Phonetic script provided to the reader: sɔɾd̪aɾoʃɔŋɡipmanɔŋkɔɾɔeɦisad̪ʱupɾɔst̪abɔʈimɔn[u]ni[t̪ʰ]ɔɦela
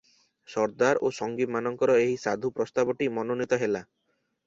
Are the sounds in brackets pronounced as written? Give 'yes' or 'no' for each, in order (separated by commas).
no, no